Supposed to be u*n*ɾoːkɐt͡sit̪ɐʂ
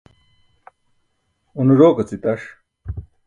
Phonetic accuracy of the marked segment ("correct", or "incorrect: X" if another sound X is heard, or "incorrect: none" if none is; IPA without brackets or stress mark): correct